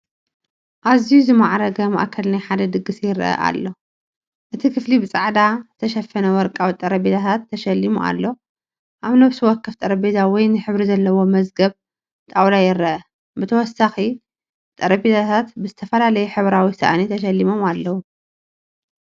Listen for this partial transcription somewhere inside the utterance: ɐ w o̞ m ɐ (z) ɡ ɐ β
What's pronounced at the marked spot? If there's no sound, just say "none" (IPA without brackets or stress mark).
z